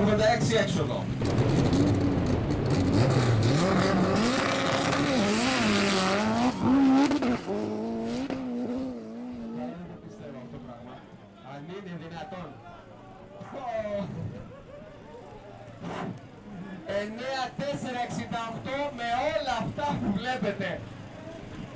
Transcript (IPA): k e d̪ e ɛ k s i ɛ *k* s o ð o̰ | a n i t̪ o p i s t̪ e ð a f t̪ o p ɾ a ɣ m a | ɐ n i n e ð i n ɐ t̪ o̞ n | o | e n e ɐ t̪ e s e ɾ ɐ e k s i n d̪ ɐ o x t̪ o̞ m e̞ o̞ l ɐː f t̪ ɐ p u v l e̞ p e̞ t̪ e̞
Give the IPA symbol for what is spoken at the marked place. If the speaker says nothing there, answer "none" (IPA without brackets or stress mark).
k